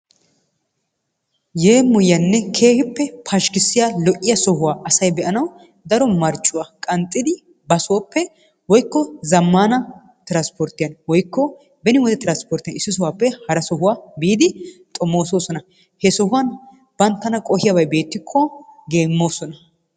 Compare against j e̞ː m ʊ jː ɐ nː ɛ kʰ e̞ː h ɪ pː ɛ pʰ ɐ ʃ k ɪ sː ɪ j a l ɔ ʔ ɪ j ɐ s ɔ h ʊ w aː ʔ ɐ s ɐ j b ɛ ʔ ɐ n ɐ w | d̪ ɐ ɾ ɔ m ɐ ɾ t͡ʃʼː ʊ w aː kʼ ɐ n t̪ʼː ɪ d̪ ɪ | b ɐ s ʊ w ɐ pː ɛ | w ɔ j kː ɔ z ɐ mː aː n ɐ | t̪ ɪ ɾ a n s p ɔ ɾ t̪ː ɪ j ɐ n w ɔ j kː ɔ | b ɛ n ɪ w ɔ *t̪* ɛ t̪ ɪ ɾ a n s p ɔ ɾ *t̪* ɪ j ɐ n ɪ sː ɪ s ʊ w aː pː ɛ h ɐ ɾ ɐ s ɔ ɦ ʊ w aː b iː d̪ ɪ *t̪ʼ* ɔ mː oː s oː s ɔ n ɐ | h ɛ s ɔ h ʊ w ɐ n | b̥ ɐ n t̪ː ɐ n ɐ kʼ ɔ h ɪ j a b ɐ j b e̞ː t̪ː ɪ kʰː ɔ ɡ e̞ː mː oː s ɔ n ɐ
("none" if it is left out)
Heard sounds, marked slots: d̪, t̪, t̪ʼ

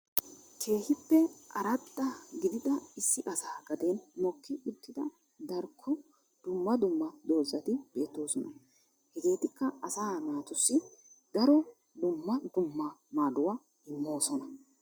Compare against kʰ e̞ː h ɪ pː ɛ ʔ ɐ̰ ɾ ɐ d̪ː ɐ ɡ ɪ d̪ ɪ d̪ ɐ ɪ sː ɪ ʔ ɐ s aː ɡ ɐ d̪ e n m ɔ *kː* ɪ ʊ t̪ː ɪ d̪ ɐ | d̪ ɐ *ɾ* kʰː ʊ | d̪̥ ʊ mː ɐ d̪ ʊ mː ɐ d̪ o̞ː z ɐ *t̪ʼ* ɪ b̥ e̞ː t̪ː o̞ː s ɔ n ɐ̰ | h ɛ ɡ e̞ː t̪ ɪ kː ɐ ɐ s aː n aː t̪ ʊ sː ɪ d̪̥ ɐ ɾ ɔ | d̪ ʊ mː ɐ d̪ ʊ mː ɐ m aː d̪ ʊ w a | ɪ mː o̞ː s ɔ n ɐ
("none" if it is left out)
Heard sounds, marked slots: kː, ɾ, t̪

